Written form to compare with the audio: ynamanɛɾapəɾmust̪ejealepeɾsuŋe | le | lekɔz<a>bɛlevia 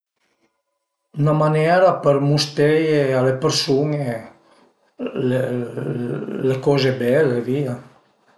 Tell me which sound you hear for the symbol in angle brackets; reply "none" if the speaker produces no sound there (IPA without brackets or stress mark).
e